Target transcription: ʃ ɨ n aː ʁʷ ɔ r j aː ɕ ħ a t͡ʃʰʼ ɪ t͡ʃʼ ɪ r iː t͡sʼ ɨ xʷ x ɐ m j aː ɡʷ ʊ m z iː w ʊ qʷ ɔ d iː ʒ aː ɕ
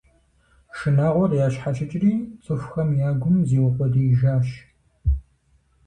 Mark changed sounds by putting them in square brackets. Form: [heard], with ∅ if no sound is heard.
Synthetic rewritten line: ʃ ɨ n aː ʁʷ ɔ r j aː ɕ ħ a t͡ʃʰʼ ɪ t͡ʃʼ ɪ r iː t͡sʼ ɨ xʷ x ɐ m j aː ɡʷ ʊ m z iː w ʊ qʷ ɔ d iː ʒ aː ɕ

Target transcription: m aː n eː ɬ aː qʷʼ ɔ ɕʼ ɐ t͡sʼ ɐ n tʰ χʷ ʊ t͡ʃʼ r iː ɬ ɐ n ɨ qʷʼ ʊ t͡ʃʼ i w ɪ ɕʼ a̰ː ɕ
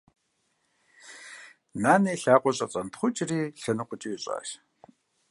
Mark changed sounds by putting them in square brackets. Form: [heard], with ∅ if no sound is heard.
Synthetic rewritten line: [n] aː n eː ɬ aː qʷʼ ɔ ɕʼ ɐ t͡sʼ ɐ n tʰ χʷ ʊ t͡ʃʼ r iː ɬ ɐ n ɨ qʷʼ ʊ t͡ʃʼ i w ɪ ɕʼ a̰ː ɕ

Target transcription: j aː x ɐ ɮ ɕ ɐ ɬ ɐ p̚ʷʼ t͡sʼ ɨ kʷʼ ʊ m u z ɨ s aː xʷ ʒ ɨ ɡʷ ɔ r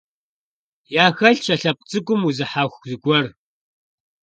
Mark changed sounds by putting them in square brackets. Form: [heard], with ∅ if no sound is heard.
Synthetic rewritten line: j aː x ɐ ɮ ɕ ɐ ɬ ɐ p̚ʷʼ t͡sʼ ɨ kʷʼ ʊ m u z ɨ [ħ] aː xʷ [z] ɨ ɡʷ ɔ r

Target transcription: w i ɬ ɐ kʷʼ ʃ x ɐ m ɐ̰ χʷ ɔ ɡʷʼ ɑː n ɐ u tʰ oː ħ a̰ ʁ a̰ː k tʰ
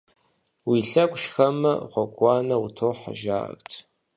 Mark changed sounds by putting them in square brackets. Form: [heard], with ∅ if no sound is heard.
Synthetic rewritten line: w i ɬ ɐ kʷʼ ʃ x ɐ m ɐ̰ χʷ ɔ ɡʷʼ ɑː n ɐ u tʰ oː ħ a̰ [ʒ] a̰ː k tʰ

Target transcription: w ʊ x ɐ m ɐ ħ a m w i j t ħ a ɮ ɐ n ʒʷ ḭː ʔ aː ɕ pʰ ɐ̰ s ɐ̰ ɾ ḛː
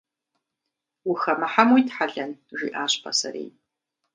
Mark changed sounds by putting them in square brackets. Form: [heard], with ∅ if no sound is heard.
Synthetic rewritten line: w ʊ x ɐ m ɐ ħ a m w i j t ħ a ɮ ɐ n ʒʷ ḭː ʔ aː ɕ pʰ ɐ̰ s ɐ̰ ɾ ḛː

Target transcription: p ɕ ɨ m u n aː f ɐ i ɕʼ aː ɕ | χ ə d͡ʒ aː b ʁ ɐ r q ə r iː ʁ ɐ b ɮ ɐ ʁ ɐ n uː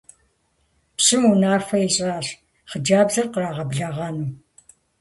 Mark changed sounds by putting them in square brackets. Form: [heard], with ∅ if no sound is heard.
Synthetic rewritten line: p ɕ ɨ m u n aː f ɐ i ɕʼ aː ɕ | χ ə d͡ʒ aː b [z] ɐ r q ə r [aː] ʁ ɐ b ɮ ɐ ʁ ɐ n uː

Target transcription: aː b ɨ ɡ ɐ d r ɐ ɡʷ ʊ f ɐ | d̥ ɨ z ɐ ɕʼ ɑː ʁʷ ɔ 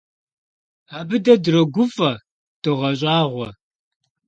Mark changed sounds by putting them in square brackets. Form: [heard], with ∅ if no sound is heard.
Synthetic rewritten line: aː b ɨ [d] ɐ d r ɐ ɡʷ ʊ f ɐ | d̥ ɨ [ʁ] ɐ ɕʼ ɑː ʁʷ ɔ

